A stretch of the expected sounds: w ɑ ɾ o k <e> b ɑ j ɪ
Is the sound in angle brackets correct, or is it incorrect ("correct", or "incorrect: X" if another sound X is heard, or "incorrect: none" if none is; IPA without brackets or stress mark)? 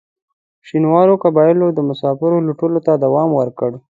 incorrect: a